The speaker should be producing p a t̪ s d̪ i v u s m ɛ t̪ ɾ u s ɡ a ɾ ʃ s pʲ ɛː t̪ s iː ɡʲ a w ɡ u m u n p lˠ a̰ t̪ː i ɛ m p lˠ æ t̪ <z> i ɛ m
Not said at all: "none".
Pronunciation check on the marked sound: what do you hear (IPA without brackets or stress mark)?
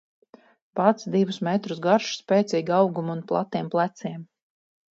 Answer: s